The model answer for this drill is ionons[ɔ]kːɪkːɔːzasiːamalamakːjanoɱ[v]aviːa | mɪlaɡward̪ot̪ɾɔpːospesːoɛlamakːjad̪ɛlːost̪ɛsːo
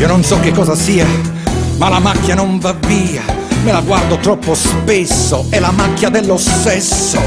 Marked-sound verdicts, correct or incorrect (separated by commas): correct, correct